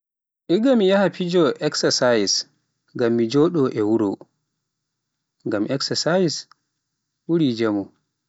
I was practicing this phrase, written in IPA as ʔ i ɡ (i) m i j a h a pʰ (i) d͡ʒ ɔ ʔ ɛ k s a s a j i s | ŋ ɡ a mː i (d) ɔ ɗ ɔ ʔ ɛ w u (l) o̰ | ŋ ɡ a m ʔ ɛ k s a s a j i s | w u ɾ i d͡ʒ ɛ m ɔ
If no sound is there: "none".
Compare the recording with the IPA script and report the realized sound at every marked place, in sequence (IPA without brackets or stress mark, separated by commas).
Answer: a, i, d͡ʒ, ɾ